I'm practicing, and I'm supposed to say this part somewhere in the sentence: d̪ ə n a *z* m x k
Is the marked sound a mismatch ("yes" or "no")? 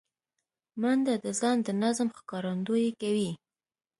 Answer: no